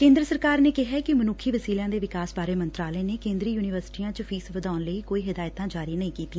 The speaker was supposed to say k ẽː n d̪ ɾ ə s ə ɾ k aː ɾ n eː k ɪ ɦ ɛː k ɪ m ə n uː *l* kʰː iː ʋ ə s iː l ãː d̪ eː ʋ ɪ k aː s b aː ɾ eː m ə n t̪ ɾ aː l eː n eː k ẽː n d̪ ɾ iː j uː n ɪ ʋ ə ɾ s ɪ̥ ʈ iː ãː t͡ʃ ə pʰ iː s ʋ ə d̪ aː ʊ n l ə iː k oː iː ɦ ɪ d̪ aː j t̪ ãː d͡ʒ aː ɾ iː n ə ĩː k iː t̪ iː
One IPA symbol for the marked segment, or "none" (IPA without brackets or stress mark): none